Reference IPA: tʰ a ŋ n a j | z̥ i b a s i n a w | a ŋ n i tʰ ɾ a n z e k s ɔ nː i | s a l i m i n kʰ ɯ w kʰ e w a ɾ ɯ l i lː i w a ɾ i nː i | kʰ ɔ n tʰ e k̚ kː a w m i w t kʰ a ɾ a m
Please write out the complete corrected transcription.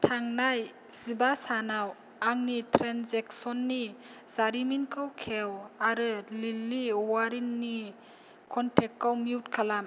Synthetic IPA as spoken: tʰ a ŋ n a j | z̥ i b a s a n a w | a ŋ n i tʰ ɾ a n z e k s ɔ nː i | z a ɾ i m i n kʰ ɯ w kʰ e w a ɾ ɯ l i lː i w a ɾ i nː i | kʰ ɔ n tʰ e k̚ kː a w m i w t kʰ a l a m